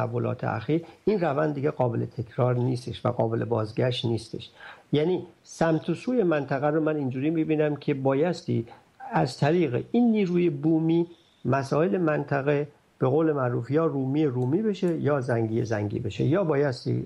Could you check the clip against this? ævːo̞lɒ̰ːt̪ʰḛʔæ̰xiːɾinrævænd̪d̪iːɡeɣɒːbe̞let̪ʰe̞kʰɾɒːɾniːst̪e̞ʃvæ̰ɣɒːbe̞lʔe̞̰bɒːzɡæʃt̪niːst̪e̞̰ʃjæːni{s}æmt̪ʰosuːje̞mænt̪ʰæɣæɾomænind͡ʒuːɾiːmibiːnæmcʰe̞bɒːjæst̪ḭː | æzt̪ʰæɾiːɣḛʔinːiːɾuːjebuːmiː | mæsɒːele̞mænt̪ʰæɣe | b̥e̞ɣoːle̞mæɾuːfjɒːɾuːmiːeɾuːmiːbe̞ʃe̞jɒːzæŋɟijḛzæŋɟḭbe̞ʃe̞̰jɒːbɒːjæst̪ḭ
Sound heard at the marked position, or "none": s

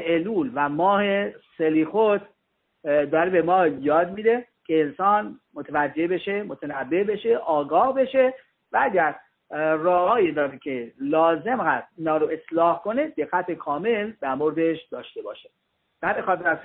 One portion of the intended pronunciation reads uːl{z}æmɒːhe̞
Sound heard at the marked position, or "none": v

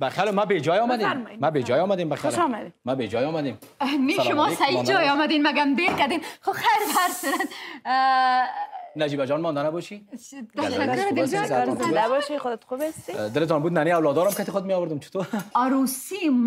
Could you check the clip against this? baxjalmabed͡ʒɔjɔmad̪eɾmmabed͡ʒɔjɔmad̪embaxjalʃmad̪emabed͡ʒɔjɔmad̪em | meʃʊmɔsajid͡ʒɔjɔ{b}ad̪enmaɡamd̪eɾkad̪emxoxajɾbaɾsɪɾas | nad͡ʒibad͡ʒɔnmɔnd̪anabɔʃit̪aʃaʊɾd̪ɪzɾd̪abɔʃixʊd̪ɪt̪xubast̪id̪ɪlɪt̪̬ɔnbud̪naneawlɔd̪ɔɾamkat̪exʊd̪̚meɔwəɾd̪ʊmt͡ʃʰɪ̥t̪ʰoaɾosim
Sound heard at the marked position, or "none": m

